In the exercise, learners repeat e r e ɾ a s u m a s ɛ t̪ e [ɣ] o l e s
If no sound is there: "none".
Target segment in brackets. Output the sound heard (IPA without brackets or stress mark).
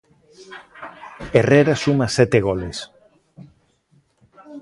ɣ